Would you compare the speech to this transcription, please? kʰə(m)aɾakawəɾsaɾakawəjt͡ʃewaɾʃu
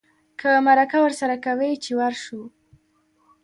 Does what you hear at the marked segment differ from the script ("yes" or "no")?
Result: no